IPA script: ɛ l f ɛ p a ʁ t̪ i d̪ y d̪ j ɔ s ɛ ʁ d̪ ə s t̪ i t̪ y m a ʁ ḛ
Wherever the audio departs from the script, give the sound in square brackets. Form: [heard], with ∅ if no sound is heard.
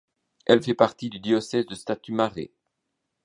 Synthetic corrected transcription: ɛ l f ɛ p a ʁ t̪ i d̪ y d̪ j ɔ s ɛ [z] d̪ ə s t̪ [a] t̪ y m a ʁ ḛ